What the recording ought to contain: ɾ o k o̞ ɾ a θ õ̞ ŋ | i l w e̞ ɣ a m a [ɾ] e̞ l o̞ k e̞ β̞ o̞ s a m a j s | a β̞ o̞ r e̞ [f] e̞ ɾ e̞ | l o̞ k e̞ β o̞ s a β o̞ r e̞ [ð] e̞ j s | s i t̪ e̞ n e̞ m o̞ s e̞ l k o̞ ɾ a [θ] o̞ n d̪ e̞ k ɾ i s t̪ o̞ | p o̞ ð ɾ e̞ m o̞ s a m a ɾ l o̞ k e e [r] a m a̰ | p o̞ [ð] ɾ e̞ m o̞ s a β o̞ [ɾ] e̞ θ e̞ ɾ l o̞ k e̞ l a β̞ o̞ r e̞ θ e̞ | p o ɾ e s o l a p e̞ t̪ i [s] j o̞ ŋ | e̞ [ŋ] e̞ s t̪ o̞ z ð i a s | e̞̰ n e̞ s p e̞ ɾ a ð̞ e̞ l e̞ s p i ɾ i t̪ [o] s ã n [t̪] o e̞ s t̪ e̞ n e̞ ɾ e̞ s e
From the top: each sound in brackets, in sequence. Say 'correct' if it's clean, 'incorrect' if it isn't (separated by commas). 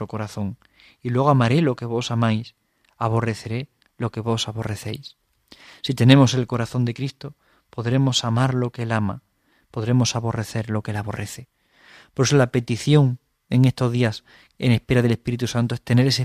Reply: correct, incorrect, incorrect, correct, incorrect, correct, incorrect, incorrect, correct, incorrect, correct